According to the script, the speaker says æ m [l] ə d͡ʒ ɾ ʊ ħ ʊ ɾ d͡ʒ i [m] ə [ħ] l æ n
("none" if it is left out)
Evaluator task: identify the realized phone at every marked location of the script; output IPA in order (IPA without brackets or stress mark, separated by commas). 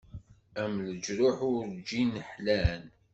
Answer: l, n, ħ